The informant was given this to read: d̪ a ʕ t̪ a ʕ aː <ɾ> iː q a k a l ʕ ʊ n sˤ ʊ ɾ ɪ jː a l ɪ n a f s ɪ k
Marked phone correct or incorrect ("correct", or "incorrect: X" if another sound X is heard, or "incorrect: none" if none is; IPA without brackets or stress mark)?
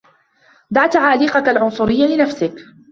incorrect: l